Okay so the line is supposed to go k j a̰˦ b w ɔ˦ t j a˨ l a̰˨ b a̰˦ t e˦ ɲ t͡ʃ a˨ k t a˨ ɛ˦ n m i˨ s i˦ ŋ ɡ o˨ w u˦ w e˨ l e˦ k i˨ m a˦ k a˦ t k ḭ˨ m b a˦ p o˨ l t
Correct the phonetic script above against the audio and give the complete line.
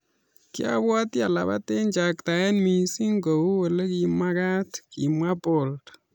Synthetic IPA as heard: k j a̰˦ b w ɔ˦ t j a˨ l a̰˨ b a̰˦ t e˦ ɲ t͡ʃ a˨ k t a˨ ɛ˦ n m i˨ s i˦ ŋ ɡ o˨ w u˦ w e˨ l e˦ k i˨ m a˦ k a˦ t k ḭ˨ m w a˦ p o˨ l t